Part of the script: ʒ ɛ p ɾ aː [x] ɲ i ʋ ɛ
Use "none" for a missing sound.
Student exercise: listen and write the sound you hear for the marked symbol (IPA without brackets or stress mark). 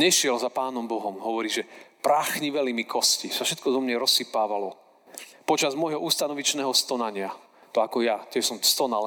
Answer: x